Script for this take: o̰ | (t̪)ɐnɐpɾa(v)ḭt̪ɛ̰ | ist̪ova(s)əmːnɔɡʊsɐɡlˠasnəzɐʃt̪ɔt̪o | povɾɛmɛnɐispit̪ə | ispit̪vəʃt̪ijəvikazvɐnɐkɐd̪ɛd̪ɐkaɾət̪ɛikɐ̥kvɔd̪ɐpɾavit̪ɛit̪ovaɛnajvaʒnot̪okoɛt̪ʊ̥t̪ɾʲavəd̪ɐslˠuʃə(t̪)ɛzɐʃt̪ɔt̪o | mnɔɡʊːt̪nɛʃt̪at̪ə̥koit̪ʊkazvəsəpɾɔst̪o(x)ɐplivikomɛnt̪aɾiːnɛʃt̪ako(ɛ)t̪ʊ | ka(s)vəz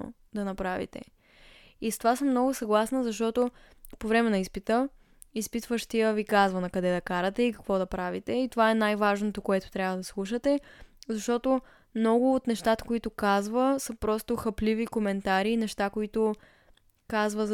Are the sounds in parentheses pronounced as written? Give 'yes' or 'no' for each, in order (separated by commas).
no, yes, yes, yes, yes, no, no